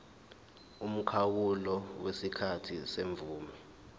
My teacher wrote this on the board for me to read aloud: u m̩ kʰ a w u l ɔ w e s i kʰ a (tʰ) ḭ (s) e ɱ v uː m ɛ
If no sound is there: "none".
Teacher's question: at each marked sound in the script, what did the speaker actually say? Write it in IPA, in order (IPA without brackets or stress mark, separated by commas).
tʰ, s